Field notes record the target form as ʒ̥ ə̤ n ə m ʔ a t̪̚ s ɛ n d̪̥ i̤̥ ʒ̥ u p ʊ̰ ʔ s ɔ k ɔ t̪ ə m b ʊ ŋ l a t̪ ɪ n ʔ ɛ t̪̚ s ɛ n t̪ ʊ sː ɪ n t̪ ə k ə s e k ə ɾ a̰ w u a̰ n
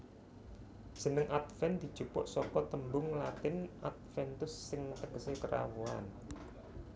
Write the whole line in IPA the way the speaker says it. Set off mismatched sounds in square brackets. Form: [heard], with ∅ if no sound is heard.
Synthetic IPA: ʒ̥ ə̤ n ə [ŋ] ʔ a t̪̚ [f] ɛ n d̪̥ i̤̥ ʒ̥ u p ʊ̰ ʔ s ɔ k ɔ t̪ ə m b ʊ ŋ l a t̪ ɪ n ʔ [a] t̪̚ [f] ɛ n t̪ ʊ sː ɪ [ŋ] t̪ ə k ə s e k ə ɾ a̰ w u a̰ n

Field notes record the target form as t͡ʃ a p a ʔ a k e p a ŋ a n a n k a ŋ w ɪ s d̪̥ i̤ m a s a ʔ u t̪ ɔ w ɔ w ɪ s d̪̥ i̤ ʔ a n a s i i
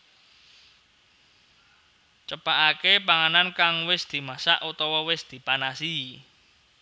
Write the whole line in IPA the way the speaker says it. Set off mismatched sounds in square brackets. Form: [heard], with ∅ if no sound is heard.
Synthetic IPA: t͡ʃ [ə] p a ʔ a k e p a ŋ a n a n k a ŋ w ɪ s d̪̥ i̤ m a s a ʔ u t̪ ɔ w ɔ w ɪ s d̪̥ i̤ [p] a n a s i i

